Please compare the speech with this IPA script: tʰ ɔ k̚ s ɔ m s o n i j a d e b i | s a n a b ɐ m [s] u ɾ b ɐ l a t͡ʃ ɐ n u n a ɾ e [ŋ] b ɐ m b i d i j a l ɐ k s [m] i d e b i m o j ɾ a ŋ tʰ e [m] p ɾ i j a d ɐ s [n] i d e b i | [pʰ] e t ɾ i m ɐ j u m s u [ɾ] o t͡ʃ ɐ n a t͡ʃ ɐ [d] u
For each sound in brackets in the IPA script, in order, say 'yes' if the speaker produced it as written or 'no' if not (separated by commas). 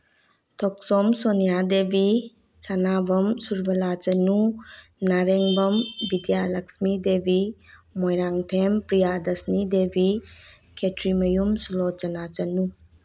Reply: yes, yes, yes, yes, yes, no, no, no